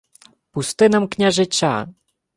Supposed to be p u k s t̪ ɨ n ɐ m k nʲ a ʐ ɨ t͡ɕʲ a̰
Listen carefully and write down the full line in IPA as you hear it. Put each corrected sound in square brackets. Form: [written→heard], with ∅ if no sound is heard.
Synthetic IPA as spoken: p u [k→∅] s t̪ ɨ n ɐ m k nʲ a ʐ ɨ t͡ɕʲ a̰